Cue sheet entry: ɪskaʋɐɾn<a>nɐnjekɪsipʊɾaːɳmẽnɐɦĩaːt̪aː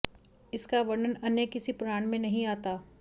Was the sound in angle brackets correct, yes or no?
no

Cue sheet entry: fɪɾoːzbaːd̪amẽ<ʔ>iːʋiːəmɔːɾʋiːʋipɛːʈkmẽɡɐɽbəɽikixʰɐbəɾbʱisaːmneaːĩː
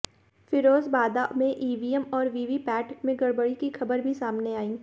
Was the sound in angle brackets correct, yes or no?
yes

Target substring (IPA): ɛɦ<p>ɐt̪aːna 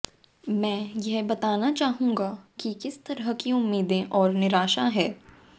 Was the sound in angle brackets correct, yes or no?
no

